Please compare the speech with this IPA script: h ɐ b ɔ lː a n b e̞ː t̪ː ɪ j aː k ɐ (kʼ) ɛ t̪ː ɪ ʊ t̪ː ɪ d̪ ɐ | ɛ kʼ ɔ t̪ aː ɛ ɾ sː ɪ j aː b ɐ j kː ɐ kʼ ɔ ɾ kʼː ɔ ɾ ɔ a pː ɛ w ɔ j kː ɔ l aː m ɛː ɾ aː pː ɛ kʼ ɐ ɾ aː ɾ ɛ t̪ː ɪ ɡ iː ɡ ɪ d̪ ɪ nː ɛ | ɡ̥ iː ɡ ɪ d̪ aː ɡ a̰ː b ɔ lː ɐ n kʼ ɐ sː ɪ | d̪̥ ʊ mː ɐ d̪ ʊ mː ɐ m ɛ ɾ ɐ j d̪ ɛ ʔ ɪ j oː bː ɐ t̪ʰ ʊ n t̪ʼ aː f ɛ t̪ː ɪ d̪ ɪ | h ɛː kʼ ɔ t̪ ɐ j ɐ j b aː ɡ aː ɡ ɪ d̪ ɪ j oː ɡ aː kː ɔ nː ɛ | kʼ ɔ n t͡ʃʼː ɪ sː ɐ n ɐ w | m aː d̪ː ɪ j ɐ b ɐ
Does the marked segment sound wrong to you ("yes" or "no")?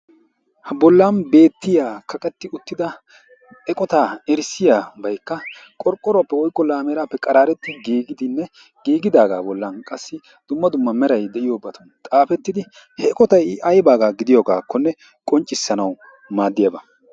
no